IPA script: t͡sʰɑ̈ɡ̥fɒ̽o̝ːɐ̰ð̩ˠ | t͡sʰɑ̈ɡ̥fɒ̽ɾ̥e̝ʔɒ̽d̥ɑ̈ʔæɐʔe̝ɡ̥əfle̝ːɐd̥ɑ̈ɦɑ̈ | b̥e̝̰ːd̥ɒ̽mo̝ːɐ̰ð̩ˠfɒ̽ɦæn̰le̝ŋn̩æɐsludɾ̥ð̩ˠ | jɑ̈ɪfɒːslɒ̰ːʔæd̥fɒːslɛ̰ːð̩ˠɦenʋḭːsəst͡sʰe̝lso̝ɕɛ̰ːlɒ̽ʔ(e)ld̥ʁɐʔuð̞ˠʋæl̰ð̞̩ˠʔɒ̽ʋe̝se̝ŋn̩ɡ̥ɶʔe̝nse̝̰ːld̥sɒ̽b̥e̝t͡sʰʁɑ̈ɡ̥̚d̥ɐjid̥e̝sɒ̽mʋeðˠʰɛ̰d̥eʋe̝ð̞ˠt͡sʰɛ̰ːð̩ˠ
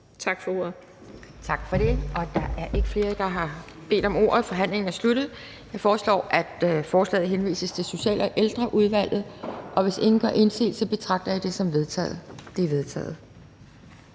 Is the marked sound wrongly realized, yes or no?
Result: no